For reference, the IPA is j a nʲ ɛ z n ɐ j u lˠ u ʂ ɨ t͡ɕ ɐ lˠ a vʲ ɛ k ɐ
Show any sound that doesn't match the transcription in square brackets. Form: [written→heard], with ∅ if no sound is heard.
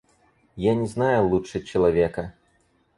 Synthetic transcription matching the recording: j a nʲ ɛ z n [ɐ→a] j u lˠ u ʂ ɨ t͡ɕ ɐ lˠ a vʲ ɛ k ɐ